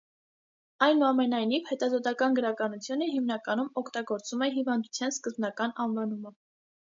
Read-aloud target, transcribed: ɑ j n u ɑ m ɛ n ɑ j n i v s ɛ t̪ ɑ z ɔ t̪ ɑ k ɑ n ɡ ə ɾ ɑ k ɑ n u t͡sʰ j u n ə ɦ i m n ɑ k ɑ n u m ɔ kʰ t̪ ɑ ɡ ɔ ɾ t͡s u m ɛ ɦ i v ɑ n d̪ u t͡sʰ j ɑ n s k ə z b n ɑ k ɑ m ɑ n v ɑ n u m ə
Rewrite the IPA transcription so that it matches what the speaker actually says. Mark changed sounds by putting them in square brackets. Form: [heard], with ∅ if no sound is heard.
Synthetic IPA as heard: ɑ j n u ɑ m ɛ n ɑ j n i v [h] ɛ t̪ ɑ z ɔ t̪ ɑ k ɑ n ɡ ə ɾ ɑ k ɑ n u t͡sʰ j u n ə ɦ i m n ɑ k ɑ n u m ɔ kʰ t̪ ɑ ɡ ɔ ɾ t͡s u m ɛ ɦ i v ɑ n d̪ u t͡sʰ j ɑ n s k ə z b n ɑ k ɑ [n] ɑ n v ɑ n u m ə